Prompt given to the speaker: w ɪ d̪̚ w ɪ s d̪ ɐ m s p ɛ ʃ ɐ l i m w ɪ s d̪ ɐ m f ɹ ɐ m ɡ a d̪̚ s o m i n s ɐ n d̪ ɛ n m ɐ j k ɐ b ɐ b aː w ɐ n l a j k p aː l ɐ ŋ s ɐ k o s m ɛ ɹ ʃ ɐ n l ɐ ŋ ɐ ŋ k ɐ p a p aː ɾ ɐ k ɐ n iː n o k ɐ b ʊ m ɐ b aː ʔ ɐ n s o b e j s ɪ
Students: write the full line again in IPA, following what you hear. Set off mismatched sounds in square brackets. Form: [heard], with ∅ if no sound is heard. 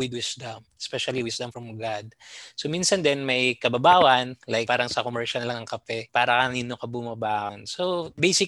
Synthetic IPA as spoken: w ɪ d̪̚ w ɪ s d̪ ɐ m s p ɛ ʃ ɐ l i [∅] w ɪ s d̪ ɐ m f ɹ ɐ m ɡ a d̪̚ s o m i n s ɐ n d̪ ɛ n m ɐ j k ɐ b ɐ b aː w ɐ n l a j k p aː [ɾ] ɐ ŋ s ɐ k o [∅] m ɛ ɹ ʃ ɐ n l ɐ ŋ ɐ ŋ k ɐ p [ɛ] p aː ɾ ɐ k ɐ n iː n o k ɐ b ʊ m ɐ b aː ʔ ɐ n s o b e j s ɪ